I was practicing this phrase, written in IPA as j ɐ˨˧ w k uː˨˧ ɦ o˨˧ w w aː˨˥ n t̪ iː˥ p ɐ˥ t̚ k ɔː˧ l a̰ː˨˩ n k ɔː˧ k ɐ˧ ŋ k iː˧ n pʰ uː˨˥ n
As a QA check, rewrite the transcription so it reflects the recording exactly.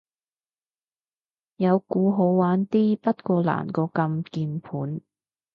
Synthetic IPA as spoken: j ɐ˨˧ w k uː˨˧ ɦ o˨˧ w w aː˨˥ n t̪ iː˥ p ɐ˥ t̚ k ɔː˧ l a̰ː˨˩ n k ɔː˧ k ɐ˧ m k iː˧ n pʰ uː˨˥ n